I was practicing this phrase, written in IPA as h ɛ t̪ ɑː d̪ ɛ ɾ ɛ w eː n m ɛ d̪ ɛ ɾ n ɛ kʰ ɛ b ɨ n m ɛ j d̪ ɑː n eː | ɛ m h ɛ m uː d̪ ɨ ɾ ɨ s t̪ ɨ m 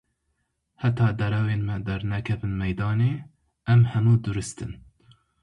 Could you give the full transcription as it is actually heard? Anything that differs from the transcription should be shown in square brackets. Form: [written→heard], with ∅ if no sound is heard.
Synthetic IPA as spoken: h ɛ t̪ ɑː d̪ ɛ ɾ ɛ w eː n m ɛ d̪ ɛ ɾ n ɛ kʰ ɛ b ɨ n m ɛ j d̪ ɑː n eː | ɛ m h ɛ m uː d̪ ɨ ɾ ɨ s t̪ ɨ [m→n]